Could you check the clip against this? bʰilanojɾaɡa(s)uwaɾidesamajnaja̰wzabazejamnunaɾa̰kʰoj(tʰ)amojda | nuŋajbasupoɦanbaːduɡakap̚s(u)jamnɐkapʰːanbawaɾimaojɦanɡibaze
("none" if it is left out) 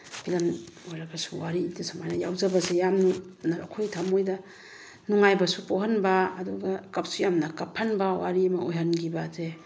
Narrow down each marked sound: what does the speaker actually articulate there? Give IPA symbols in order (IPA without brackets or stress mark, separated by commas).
s, tʰ, u